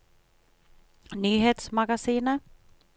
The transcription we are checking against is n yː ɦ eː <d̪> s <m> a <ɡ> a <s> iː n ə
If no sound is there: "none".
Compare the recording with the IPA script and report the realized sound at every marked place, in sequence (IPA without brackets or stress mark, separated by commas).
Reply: t̪, m, ɡ, s